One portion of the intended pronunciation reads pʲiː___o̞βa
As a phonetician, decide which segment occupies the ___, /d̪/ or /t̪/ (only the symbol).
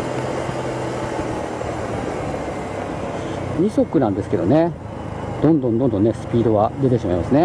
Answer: d̪